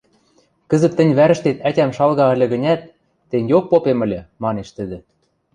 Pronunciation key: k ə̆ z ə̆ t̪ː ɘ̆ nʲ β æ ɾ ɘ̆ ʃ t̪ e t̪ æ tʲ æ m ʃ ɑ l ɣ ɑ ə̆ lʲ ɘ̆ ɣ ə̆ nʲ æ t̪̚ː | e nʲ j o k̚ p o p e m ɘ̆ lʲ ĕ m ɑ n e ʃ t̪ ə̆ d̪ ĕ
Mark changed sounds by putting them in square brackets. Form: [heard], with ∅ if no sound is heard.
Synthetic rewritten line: k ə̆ z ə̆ t̪ː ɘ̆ nʲ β æ ɾ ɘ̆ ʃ t̪ e t̪ æ tʲ æ m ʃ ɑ l ɣ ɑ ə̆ lʲ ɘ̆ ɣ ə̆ nʲ æ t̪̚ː | e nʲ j o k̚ p o p e m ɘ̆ lʲ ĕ m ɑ n e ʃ t̪ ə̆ d̪ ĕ